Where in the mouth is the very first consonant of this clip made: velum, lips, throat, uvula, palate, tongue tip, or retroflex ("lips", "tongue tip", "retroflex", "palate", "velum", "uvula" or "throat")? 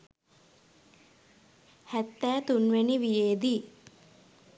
throat